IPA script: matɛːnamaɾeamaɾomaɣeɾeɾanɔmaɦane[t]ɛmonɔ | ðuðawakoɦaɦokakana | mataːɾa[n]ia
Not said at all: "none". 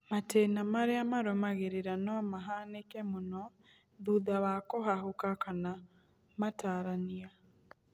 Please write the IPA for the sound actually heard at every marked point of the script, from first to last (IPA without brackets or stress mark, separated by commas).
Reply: k, n